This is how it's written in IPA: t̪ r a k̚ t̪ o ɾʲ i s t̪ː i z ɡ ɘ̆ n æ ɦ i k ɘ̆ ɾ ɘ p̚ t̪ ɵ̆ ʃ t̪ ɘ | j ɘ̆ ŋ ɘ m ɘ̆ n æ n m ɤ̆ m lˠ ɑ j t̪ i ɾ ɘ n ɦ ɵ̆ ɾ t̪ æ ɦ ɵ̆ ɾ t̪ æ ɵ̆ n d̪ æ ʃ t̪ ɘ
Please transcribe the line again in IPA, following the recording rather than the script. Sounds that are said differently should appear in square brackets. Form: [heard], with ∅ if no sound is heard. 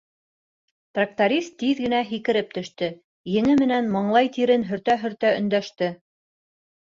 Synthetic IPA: t̪ r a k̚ t̪ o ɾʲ i s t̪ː i [ð] ɡ ɘ̆ n æ ɦ i k ɘ̆ ɾ ɘ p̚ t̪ ɵ̆ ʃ t̪ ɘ | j ɘ̆ ŋ ɘ m ɘ̆ n æ n m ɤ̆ [ɴ] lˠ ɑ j t̪ i ɾ ɘ n ɦ ɵ̆ ɾ t̪ æ ɦ ɵ̆ ɾ t̪ æ ɵ̆ n d̪ æ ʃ t̪ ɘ